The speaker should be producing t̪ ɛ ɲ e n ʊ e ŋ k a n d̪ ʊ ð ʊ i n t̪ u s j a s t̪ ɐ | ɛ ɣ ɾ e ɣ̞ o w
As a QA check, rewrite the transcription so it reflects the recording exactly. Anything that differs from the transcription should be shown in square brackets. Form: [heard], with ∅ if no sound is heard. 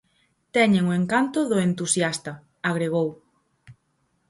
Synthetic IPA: t̪ ɛ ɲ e [ŋ] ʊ e ŋ k a n [t̪] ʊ ð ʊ [e] n t̪ u s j a s t̪ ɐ | [a] ɣ ɾ e ɣ̞ o w